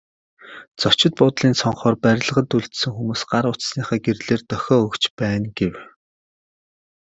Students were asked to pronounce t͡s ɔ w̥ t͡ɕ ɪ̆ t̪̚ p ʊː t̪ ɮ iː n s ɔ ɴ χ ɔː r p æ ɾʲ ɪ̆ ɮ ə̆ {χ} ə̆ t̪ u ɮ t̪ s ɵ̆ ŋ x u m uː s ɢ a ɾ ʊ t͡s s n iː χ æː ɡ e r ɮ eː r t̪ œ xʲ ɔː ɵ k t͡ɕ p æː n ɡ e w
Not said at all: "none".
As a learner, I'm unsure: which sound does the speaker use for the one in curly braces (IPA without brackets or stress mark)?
ʁ